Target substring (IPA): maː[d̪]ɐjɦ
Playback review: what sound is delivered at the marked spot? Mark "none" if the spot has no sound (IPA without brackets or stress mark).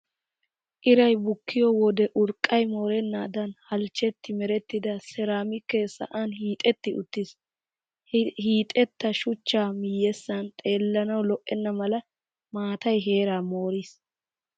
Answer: t̪